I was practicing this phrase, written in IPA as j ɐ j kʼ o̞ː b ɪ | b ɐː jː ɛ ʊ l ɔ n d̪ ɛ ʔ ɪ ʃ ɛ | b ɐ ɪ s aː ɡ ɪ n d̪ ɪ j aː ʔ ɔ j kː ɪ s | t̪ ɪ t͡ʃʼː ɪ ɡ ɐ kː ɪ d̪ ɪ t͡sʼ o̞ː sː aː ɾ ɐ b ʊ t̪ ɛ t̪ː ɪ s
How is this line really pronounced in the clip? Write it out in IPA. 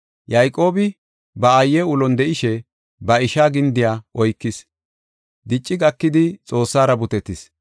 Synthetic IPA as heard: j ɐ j kʼ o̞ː b ɪ | b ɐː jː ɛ ʊ l ɔ n d̪ ɛ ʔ ɪ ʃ ɛ | b ɐ ɪ ʃ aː ɡ ɪ n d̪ ɪ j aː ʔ ɔ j kː ɪ s | d̪ ɪ t͡ʃʼː ɪ ɡ ɐ kː ɪ d̪ ɪ t͡sʼ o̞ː sː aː ɾ ɐ b ʊ t̪ ɛ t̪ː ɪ s

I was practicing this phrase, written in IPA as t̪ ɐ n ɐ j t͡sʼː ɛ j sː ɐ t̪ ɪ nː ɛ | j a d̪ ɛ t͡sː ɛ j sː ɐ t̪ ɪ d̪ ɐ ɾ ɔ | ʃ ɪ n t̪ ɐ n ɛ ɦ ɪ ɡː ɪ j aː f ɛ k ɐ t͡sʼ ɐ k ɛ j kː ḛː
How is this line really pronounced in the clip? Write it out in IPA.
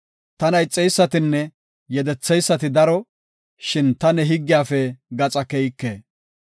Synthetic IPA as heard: t̪ ɐ n ɐ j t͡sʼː ɛ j sː ɐ t̪ ɪ nː ɛ | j ɛ d̪ ɛ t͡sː ɛ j sː ɐ t̪ ɪ d̪ ɐ ɾ ɔ | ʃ ɪ n t̪ ɐ n ɛ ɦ ɪ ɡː ɪ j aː f ɛ ɡ ɐ t͡sʼ ɐ k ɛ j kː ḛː

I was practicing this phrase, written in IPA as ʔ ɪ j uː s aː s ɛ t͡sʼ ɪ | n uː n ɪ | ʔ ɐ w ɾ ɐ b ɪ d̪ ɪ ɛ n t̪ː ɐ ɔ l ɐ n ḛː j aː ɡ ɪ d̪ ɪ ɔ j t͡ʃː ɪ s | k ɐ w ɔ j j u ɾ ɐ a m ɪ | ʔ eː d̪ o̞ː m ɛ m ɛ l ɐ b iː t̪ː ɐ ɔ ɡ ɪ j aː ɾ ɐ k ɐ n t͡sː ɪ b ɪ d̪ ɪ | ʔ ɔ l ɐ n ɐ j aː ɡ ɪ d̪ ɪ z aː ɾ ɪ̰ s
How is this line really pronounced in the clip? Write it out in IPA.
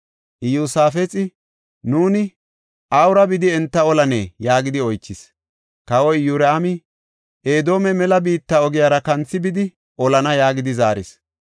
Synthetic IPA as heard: ʔ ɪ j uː s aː f ɛ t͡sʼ ɪ | n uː n ɪ | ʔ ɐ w ɾ ɐ b ɪ d̪ ɪ ɛ n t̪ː ɐ ɔ l ɐ n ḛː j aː ɡ ɪ d̪ ɪ ɔ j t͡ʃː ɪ s | k ɐ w ɔ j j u ɾ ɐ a m ɪ | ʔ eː d̪ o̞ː m ɛ m ɛ l ɐ b iː t̪ː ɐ ɔ ɡ ɪ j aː ɾ ɐ k ɐ n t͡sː ɪ b ɪ d̪ ɪ | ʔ ɔ l ɐ n ɐ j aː ɡ ɪ d̪ ɪ z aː ɾ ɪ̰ s

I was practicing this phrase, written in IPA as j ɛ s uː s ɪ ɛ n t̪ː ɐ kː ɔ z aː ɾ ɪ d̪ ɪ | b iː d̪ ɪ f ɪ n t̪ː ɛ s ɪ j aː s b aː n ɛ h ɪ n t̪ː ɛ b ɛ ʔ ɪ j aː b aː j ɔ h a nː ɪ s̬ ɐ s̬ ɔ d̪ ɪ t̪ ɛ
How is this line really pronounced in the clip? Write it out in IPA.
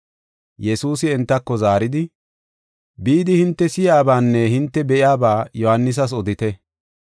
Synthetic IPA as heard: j ɛ s uː s ɪ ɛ n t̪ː ɐ kː ɔ z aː ɾ ɪ d̪ ɪ | b iː d̪ ɪ h ɪ n t̪ː ɛ s ɪ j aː b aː nː ɛ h ɪ n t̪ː ɛ b ɛ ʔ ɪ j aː b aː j ɔ h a nː ɪ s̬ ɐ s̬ ɔ d̪ ɪ t̪ ɛ

